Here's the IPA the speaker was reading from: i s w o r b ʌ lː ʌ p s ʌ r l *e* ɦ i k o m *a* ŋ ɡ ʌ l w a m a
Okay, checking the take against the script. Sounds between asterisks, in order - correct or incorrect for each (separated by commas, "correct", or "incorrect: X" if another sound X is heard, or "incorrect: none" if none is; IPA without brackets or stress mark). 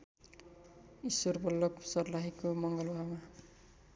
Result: incorrect: a, incorrect: ʌ